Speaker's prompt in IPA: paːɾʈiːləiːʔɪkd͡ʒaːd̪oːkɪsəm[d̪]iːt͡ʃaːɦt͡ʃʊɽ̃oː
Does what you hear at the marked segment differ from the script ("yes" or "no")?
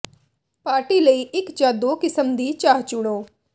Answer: no